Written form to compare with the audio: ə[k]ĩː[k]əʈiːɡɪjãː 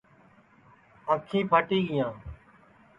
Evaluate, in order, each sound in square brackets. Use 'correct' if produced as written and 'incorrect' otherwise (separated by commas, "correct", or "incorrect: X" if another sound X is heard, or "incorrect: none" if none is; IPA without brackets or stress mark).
incorrect: kʰ, incorrect: p